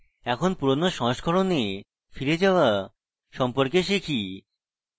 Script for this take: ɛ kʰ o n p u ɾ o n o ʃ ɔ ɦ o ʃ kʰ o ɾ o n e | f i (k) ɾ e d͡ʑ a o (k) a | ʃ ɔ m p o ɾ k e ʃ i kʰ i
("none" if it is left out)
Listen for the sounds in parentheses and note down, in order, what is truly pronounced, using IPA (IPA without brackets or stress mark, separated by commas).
none, none